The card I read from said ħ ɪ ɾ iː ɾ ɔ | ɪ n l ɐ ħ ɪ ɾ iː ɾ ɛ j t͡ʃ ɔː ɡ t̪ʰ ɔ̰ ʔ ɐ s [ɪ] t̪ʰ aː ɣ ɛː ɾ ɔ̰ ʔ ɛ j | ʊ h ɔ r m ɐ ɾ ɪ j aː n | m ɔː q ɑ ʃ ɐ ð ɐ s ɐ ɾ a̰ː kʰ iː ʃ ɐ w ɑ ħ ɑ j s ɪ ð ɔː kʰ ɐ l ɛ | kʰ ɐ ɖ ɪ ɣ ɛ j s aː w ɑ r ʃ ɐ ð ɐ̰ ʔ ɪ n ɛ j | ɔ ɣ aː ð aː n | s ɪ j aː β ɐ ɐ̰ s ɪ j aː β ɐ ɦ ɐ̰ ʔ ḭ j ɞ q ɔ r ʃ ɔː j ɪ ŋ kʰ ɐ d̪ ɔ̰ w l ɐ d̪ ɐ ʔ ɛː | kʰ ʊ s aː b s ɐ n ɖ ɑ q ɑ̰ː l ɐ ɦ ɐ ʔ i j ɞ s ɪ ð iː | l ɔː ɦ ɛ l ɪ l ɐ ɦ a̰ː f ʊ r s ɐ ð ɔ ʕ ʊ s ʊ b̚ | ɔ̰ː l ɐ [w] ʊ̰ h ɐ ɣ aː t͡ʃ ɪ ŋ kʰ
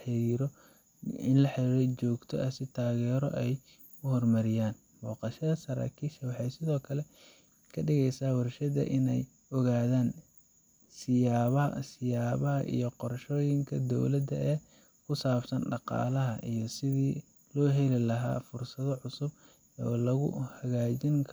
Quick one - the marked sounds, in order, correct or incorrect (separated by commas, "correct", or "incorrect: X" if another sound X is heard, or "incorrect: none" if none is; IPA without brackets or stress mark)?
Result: correct, incorrect: ɣ